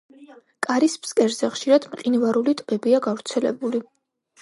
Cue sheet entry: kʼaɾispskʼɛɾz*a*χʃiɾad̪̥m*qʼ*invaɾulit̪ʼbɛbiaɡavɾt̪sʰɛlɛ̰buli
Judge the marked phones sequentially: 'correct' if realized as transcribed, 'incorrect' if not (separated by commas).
incorrect, correct